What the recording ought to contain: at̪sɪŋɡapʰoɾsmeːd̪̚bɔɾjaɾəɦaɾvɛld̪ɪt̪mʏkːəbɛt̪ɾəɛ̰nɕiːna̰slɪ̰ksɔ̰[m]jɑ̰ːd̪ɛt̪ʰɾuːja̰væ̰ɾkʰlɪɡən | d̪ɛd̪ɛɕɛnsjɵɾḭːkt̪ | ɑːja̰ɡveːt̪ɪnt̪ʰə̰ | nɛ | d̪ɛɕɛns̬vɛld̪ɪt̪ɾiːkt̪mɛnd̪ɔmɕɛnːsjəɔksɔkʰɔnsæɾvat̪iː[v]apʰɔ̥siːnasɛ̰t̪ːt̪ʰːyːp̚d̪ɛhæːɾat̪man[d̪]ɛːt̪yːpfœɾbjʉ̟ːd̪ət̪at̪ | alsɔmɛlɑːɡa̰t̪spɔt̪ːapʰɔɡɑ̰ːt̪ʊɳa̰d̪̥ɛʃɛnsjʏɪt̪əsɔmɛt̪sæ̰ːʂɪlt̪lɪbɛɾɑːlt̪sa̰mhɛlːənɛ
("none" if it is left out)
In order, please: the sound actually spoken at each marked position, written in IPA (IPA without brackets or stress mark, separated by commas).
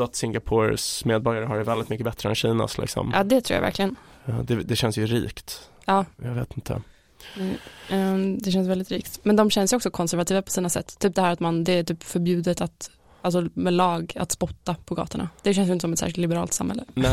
m, v, d̪